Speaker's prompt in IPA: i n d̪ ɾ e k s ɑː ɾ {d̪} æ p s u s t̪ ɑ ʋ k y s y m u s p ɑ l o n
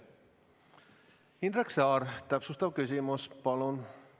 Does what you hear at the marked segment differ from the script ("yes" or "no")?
yes